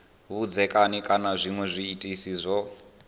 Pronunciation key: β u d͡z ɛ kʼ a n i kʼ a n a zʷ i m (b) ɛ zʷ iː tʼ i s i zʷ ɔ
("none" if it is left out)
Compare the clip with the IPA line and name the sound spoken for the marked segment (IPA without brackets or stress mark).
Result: w